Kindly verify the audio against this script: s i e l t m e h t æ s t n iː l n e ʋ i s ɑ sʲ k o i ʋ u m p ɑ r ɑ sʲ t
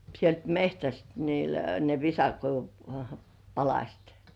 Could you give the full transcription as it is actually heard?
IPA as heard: s i e l t m e h t æ s t n iː l n e ʋ i s ɑ k o i ʋ u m p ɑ l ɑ sʲ t